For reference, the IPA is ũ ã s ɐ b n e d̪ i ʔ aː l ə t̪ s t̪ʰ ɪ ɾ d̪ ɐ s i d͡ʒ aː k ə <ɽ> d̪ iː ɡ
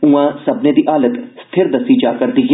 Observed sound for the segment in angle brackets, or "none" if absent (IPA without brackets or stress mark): ɾ